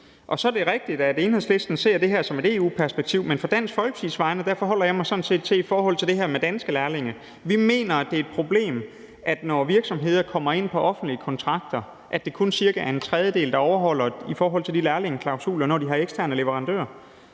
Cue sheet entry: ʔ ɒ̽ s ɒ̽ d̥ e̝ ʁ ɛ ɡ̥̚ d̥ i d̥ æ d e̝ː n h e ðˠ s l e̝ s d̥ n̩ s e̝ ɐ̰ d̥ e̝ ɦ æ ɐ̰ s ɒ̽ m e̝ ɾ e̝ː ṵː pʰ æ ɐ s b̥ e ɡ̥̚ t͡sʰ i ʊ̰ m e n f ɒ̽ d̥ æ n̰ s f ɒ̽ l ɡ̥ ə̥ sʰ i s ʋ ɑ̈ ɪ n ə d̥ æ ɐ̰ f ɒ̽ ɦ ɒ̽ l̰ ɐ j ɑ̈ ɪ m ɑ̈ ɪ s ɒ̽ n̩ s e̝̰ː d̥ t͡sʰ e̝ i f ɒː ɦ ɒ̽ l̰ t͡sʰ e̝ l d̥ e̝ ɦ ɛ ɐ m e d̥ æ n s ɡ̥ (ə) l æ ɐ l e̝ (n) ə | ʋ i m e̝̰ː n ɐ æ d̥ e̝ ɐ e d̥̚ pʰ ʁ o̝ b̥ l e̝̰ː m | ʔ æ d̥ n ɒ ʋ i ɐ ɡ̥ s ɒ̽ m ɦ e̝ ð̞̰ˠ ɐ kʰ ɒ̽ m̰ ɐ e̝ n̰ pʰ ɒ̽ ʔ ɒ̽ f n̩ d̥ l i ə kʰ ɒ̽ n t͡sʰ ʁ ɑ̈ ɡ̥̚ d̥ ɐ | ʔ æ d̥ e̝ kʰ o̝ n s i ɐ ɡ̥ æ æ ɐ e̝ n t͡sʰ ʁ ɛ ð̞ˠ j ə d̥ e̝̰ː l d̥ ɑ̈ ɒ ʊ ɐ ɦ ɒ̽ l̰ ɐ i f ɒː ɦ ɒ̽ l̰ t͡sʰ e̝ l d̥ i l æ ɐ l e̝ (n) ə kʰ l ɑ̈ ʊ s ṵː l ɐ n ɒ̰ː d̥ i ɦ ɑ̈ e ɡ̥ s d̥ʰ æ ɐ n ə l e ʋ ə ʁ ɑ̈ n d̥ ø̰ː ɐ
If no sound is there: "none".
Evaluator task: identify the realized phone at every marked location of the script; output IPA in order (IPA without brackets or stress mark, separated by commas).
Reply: ə, ŋ, ŋ